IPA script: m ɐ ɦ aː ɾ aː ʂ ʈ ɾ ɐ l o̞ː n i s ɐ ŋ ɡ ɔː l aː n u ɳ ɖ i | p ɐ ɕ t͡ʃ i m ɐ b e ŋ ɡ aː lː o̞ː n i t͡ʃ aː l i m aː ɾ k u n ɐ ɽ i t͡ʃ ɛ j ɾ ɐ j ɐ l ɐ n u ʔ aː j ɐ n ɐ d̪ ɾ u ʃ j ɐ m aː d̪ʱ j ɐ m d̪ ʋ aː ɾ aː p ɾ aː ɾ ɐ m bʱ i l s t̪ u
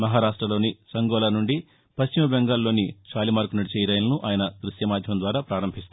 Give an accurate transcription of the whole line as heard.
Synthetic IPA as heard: m ɐ ɦ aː ɾ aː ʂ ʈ ɾ ɐ l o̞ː n i s ɐ ŋ ɡ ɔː l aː n u ɳ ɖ i | p ɐ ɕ t͡ʃ i m ɐ b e ŋ ɡ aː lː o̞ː n i t͡ʃ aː l i m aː ɾ k u n ɐ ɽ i t͡ʃ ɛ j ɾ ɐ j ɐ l ɐ n u ʔ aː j ɐ n ɐ d̪ ɾ u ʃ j ɐ m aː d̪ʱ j ɐ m d̪ ʋ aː ɾ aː p ɾ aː ɾ ɐ m bʱ i s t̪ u

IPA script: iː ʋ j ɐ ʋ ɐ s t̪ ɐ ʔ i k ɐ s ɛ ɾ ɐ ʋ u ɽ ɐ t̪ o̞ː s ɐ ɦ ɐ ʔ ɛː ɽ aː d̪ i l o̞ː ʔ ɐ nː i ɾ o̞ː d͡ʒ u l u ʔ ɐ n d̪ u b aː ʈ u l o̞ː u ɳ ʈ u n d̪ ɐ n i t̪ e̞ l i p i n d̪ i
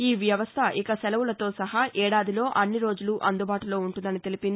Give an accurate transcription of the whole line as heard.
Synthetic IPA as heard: iː ʋ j ɐ ʋ ɐ s t̪ʰ ɐ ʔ i k ɐ s ɛ l ɐ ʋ u l ɐ t̪ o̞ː s ɐ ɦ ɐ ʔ ɛː ɽ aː d̪ i l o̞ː ʔ ɐ nː i ɾ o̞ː d͡ʒ u l u ʔ ɐ n d̪ u b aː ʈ u l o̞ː u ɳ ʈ u n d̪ ɐ n i t̪ e̞ l i p i n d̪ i

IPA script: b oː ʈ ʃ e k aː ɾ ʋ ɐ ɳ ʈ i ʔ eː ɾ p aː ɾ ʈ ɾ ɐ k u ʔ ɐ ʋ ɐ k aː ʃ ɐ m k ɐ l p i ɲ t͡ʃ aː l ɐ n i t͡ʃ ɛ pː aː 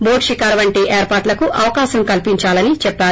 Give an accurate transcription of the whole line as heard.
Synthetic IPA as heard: b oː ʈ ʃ i k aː ɾ ʋ ɐ ɳ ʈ i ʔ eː ɾ p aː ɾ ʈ l ɐ k u ʔ ɐ ʋ ɐ k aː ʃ ɐ m k ɐ l p i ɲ t͡ʃ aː l ɐ n i t͡ʃ ɛ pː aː

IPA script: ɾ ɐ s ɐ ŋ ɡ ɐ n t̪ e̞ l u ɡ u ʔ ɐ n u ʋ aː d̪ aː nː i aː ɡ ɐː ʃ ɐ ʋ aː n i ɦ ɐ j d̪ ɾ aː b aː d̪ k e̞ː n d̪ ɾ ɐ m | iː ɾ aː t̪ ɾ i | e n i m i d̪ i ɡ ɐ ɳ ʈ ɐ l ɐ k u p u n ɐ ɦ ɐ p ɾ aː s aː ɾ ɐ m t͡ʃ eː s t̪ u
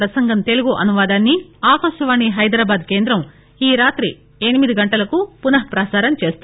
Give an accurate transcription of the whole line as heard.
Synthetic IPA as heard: ɾ ɐ s ɐ ŋ ɡ ɐ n t̪ e̞ l u ɡ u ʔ ɐ n u ʋ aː d̪ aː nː i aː k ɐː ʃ ɐ ʋ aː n i ɦ ɐ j d̪ ɾ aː b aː d̪ k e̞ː n d̪ ɾ ɐ m | iː ɾ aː t̪ ɾ i | e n i m i d̪ i ɡ ɐ ɳ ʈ ɐ l ɐ k u p u n ɐ ɦ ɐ p ɾ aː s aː ɾ ɐ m t͡ʃ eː s t̪ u

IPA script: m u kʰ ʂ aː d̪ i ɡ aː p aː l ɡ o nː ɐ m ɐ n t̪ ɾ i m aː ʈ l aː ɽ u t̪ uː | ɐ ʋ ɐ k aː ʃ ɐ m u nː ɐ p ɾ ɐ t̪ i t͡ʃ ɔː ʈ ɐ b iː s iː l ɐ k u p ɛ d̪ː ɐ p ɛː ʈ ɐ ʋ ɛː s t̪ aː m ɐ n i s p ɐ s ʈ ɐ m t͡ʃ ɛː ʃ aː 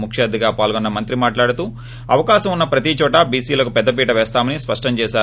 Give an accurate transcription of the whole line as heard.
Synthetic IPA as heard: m u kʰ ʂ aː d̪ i ɡ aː p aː l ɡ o nː ɐ m ɐ n t̪ ɾ i m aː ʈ l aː ɽ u t̪ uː | ɐ ʋ ɐ k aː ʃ ɐ m u nː ɐ p ɾ ɐ t̪ i t͡ʃ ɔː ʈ ɐ b iː s iː l ɐ k u p ɛ d̪ː ɐ p iː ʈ ɐ ʋ ɛː s t̪ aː m ɐ n i s p ɐ ʂ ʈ ɐ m t͡ʃ ɛː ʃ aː

